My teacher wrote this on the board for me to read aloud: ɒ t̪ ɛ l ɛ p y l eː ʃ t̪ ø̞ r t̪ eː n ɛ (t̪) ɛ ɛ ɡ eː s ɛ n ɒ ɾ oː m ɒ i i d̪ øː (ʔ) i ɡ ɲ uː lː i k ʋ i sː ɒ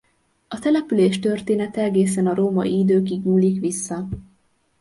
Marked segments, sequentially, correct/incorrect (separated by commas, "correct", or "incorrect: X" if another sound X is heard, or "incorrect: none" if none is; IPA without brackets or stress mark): correct, incorrect: k